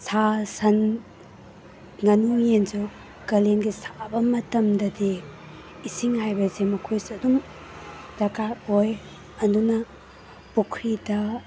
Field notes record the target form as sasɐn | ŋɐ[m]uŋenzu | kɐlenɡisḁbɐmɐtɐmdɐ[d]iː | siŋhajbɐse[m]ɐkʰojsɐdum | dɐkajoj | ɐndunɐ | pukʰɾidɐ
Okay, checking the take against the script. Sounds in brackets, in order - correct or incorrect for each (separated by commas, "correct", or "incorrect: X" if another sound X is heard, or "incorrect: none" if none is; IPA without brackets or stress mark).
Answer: incorrect: n, correct, correct